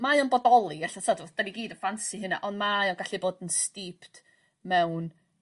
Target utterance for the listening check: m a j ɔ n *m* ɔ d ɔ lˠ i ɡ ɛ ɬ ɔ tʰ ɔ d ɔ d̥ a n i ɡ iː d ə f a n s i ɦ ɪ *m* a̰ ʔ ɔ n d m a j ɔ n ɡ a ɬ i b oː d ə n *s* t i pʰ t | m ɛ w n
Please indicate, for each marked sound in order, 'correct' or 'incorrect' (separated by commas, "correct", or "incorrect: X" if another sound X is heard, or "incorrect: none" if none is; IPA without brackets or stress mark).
incorrect: b, incorrect: n, correct